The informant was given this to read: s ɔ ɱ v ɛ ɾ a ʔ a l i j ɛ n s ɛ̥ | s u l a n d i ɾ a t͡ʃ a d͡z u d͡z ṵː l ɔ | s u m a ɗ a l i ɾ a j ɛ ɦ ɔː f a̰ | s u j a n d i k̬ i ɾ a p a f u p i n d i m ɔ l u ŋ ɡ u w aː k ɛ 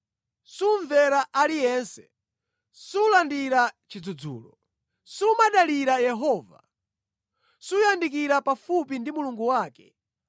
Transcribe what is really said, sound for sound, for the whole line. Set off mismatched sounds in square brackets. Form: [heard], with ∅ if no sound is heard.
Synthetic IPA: s [u] ɱ v ɛ ɾ a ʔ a l i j ɛ n s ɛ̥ | s u l a n d i ɾ a t͡ʃ [i] d͡z u d͡z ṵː l ɔ | s u m a ɗ a l i ɾ a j ɛ ɦ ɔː [v] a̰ | s u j a n d i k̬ i ɾ a p a f u p i n d i m [u] l u ŋ ɡ u w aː k ɛ